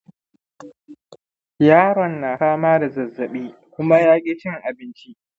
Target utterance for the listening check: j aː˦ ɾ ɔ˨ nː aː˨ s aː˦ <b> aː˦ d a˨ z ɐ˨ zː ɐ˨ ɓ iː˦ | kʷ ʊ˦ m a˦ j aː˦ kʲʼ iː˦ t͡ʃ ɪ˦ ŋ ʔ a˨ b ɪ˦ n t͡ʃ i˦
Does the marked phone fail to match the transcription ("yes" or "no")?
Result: yes